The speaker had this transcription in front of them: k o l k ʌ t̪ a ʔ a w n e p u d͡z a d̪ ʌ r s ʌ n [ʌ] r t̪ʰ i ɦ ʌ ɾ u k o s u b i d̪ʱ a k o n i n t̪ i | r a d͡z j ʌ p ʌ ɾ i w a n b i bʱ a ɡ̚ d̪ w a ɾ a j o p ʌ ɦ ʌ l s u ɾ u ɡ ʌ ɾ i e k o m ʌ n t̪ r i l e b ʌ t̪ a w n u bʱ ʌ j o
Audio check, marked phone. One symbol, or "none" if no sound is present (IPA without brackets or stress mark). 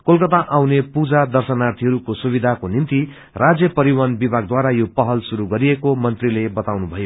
a